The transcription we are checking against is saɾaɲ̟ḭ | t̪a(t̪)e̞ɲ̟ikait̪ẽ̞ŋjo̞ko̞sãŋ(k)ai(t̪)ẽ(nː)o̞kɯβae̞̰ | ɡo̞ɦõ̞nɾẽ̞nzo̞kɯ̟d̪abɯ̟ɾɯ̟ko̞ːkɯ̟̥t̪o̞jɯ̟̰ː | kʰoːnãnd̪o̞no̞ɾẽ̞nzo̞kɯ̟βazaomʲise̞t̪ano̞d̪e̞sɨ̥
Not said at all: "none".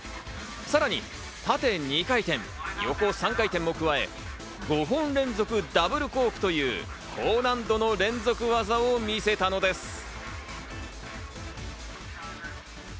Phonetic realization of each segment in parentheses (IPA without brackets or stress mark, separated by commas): t̪, k, t̪, mː